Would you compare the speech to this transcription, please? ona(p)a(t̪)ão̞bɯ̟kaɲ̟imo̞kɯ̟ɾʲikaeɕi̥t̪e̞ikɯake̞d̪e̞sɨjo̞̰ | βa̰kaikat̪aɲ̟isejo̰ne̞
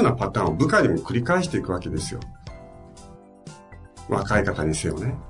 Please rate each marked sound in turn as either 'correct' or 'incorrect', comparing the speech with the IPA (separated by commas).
correct, correct